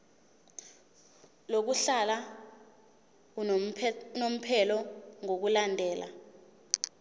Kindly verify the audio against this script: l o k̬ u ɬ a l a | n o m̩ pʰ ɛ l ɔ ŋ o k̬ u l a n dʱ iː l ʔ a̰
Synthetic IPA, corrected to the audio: l o k̬ u ɬ a l a | n o m̩ pʰ ɛ l ɔ ŋ o k̬ u l a n dʱ ɛː l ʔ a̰